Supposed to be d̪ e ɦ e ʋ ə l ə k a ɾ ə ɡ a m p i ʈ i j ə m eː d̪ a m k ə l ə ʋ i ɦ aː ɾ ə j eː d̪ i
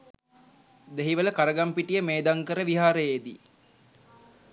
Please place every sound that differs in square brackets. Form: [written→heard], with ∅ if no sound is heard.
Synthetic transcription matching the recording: d̪ e ɦ [e→i] ʋ ə l ə k a ɾ ə ɡ a m p i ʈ i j ə m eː d̪ a [m→ŋ] k ə [l→ɾ] ə ʋ i ɦ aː ɾ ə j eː d̪ i